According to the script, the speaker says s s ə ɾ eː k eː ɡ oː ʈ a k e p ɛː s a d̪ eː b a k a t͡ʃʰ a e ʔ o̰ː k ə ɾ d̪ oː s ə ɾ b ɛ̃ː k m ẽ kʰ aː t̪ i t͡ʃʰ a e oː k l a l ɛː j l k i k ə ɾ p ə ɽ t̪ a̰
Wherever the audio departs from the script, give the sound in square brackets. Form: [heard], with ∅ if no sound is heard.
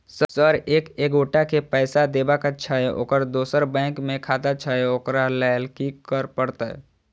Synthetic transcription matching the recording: s s ə ɾ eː k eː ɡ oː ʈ a k e p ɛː s a d̪ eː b a k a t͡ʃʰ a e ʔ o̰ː k ə ɾ d̪ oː s ə ɾ b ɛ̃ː k m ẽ kʰ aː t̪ [a] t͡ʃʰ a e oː k [ɾ] a l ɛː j l k i k ə ɾ p ə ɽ t̪ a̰